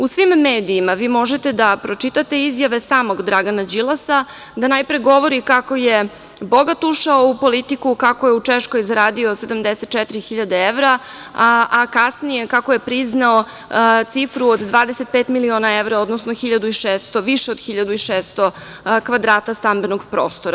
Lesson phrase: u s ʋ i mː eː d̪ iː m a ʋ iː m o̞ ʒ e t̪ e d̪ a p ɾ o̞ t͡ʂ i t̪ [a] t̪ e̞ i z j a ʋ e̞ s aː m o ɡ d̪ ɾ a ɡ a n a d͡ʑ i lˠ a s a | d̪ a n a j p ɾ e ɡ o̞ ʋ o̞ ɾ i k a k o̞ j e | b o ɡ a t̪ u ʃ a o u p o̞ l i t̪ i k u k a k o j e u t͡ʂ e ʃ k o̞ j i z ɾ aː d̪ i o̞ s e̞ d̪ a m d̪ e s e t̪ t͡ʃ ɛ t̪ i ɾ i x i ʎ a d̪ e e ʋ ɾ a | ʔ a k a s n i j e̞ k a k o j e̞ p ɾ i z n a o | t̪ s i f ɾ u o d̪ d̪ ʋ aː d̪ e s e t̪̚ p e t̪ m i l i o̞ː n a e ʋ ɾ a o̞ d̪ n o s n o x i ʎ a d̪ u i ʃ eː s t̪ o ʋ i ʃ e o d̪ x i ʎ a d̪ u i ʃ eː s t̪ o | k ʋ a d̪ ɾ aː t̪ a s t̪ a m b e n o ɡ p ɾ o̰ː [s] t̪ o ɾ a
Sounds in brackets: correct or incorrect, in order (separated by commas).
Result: correct, correct